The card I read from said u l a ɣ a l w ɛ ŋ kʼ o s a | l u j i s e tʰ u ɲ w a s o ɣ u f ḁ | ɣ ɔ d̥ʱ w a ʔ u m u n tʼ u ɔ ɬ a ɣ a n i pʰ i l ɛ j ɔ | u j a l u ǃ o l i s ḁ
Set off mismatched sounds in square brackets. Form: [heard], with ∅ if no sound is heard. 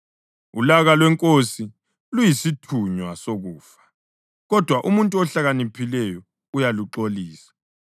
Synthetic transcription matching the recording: u l a ɣ a l w ɛ ŋ kʼ o s [i] | l u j i s [i] tʰ u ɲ w a s o ɣ [uː] f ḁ | ɣ ɔ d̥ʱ w a ʔ u m u n tʼ u ɔ ɬ a ɣ a n i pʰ i l ɛ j ɔ | u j a l u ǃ o l [iː] s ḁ